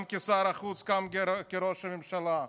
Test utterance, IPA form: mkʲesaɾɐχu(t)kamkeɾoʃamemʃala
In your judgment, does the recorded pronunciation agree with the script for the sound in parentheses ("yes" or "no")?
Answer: no